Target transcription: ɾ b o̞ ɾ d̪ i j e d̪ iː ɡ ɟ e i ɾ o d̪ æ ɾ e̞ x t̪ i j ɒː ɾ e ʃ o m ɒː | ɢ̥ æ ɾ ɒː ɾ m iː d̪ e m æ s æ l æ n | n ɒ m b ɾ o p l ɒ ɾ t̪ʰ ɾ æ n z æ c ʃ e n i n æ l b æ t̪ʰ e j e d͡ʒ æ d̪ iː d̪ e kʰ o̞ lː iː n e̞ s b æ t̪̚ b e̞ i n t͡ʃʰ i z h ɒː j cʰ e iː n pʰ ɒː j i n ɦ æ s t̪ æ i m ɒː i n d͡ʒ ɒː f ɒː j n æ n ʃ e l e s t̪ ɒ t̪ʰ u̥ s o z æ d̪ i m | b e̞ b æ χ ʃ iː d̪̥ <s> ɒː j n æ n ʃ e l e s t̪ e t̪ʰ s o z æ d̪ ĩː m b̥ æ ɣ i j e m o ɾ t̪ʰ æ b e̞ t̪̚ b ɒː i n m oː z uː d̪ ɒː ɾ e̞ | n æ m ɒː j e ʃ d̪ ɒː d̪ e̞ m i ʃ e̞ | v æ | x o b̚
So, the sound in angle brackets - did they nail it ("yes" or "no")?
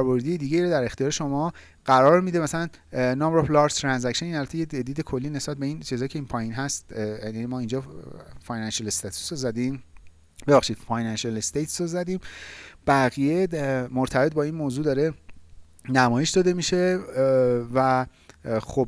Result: no